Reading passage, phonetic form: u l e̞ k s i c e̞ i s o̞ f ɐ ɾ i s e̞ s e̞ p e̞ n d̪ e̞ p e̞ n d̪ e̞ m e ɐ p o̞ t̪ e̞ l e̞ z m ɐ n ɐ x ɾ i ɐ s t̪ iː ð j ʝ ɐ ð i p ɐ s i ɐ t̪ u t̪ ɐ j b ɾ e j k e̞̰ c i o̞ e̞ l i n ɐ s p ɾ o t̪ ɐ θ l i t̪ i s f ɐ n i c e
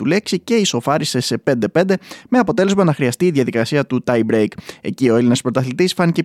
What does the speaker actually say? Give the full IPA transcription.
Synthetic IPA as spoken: u l e̞ k s i c e̞ i s o̞ f ɐ ɾ i s e̞ s e̞ p e̞ n d̪ e̞ p e̞ n d̪ e̞ m e ɐ p o̞ t̪ e̞ l e̞ z m ɐ n ɐ x ɾ i ɐ s t̪ iː ð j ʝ ɐ ð i k ɐ s i ɐ t̪ u t̪ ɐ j b ɾ e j k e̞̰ c i o̞ e̞ l i n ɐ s p ɾ o t̪ ɐ θ l i t̪ i s f ɐ n i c e